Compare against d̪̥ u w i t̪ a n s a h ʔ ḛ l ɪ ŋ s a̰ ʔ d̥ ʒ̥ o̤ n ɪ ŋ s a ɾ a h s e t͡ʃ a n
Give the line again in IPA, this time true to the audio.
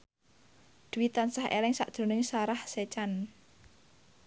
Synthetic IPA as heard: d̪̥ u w i t̪ a n s a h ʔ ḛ l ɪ ŋ s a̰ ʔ d̥ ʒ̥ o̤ n ɪ ŋ s a ɾ a h s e t͡ʃ a n